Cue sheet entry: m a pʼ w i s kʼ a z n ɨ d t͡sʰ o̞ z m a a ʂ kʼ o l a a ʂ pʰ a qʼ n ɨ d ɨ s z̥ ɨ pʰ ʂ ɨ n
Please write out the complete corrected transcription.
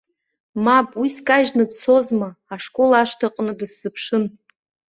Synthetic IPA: m a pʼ w i s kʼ a ʒ n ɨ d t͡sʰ o̞ z m a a ʂ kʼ o l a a ʂ tʰ a qʼ n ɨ d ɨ s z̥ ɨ pʰ ʂ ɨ n